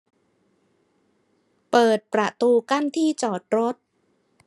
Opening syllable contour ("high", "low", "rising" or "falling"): low